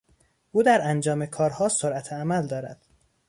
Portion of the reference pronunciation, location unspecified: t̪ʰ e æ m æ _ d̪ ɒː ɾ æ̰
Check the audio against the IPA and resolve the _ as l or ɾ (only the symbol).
l